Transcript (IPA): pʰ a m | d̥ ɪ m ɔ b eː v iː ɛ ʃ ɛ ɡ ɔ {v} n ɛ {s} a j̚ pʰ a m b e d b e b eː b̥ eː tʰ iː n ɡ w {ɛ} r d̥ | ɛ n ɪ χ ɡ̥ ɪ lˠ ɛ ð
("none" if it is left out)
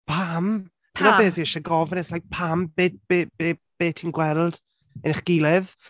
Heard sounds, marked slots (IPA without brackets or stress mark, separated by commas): v, s, ɛ